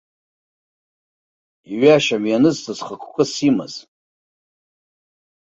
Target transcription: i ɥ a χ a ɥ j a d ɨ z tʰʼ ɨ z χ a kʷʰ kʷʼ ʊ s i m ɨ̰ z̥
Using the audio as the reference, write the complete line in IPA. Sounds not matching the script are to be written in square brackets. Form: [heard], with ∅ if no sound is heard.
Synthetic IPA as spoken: i ɥ a [ʃ] a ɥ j a [n] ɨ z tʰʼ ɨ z χ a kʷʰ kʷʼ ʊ s i m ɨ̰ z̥